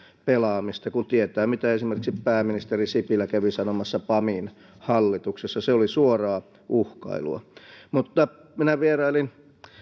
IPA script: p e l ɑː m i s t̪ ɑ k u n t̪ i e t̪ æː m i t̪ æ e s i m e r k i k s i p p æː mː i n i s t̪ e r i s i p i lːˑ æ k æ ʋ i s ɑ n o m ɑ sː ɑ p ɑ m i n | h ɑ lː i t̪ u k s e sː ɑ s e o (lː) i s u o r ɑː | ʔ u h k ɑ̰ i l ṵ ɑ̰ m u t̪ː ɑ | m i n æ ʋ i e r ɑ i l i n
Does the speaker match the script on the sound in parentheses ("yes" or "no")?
no